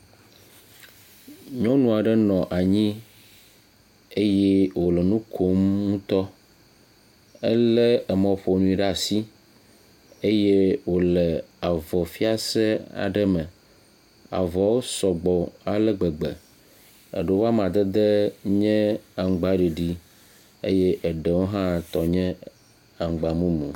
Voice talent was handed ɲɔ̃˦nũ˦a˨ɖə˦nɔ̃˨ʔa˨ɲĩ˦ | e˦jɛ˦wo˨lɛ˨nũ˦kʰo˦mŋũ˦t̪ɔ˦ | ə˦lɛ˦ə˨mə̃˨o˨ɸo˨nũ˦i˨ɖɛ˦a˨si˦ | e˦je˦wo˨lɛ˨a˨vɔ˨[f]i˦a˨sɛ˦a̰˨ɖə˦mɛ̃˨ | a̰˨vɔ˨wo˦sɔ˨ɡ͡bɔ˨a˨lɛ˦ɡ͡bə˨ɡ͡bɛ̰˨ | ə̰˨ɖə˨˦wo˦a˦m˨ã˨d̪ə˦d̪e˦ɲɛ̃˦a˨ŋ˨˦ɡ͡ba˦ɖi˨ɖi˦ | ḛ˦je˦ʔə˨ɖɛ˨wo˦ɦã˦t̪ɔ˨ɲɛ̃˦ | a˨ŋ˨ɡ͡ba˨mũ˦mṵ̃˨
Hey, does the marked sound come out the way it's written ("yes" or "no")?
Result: yes